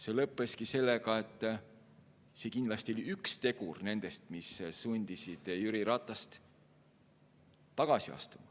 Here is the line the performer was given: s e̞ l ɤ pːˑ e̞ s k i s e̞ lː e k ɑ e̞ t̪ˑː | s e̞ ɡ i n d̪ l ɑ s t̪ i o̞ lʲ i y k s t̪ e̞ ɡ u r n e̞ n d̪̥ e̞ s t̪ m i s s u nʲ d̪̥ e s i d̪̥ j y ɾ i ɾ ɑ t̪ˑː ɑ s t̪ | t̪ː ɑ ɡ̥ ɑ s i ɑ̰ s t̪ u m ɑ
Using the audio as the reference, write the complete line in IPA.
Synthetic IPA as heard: s e̞ l ɤ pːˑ e̞ s k i s e̞ lː e k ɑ e̞ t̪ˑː | s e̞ k i n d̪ l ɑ s t̪ i o̞ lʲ i y k s t̪ e̞ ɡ u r n e̞ n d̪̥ e̞ s t̪ m i s s u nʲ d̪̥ i s i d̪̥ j y ɾ i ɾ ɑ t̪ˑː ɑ s t̪ | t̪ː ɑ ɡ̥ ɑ s i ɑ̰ s t̪ u m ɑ

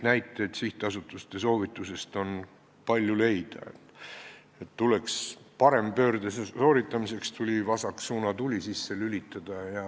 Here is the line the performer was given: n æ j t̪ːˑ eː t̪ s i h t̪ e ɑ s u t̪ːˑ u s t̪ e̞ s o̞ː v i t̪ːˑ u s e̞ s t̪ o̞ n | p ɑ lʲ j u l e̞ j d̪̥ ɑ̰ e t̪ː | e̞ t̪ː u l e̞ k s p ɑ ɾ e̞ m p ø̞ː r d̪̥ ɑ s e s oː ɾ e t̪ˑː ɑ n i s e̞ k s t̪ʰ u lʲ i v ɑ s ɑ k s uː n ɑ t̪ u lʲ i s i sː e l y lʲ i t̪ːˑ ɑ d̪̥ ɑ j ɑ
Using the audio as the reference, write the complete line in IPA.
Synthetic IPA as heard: n æ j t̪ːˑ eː t̪ s i h t̪ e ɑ s u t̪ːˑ u s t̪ e̞ s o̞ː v i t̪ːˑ u s e̞ s t̪ o̞ n | p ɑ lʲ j u l e̞ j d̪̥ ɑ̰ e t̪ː | e̞ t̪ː u l e̞ k s p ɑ ɾ e̞ m p ø̞ː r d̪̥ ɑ s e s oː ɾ i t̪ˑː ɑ m i s e̞ k s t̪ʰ u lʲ i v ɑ s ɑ k s uː n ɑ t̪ u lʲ i s i sː e l y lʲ i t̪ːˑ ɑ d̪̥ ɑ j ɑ

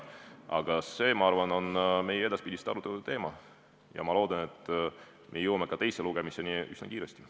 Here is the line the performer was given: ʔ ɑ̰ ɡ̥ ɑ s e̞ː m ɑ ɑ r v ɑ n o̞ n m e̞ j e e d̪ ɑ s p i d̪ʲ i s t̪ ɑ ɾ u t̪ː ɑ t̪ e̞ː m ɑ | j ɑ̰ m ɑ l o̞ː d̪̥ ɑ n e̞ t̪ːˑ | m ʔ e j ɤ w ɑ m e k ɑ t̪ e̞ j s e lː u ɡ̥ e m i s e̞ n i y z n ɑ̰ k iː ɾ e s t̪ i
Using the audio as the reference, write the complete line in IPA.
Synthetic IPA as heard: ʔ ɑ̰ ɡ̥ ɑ s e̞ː m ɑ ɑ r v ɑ n o̞ n m e̞ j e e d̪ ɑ s p i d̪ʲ i s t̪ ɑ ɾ u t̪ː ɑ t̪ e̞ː m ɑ | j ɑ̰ m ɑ l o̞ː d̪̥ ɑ n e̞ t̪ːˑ | m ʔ e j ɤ w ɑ m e k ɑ t̪ e̞ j s e l u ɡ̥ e m i s e̞ n i y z n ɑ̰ k iː ɾ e s t̪ i

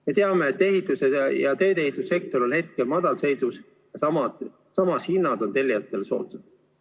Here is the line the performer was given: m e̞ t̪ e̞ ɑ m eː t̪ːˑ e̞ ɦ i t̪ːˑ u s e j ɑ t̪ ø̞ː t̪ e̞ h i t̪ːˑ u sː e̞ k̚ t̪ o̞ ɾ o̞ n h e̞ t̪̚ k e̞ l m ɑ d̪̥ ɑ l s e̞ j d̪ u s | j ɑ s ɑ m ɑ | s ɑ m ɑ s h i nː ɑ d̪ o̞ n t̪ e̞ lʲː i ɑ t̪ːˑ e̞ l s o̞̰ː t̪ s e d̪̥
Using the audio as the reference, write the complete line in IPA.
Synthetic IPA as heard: m e̞ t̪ e̞ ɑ m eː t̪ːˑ e̞ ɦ i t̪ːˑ u s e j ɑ t̪ ø̞ː t̪ e̞ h i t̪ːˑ u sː e̞ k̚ t̪ o̞ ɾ o̞ n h e̞ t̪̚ k e̞ l m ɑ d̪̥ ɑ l s e̞ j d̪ u s | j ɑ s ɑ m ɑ | s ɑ m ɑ s h i nː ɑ d̪ o̞ n t̪ e̞ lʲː i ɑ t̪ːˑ e̞ l s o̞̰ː t̪ s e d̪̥

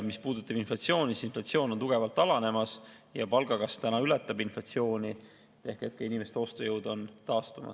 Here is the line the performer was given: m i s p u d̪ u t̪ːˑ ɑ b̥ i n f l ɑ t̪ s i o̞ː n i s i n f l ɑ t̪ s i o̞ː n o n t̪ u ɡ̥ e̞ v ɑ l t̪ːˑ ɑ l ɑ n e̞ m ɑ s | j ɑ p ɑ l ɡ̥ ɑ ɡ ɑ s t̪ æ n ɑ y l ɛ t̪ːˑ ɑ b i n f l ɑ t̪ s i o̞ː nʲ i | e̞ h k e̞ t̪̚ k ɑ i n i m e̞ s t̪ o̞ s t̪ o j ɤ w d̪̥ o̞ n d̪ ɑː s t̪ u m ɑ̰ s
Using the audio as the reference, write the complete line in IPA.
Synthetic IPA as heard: m i s p uː d̪ u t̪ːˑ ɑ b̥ i n f l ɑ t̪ s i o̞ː n i s i n f l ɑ t̪ s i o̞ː n o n t̪ u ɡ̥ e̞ v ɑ l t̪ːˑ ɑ l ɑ n e̞ m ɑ s | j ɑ p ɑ l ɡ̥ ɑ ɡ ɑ s t̪ æ n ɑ y l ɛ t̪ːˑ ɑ b i n f l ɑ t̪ s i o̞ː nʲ i | e̞ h k e̞ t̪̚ k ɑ i n i m e̞ s t̪ o̞ s t̪ o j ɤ w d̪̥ o̞ n t̪ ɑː s t̪ u m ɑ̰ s

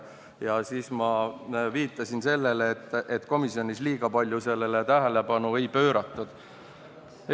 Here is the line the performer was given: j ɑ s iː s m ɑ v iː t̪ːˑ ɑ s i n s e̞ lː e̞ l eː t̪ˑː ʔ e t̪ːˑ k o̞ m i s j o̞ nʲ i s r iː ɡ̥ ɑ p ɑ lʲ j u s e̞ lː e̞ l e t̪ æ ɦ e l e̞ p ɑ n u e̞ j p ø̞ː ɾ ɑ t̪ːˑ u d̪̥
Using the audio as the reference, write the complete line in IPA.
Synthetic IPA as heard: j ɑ s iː s m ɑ v iː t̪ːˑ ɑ s i n s e̞ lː e̞ l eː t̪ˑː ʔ e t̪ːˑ k o̞ m i s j o̞ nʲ i s l iː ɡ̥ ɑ p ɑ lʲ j u s e̞ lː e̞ l e t̪ æ ɦ e l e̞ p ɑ n u e̞ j p ø̞ː ɾ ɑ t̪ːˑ u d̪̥

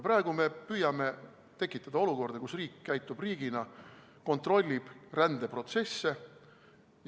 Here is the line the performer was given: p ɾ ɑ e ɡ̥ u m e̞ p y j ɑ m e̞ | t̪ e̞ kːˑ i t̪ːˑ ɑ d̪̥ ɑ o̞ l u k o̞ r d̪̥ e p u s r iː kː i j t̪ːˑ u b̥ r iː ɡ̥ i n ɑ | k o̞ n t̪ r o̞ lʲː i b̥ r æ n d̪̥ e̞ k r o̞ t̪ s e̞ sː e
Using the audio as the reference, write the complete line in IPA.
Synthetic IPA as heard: p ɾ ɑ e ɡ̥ u m e̞ p y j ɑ m e̞ | t̪ e̞ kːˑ i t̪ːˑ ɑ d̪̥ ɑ o̞ l u k o̞ r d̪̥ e k u s r iː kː æ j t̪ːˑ u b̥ r iː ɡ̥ i n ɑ | k o̞ n t̪ r o̞ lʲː i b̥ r æ n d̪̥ e̞ p r o̞ t̪ s e̞ sː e

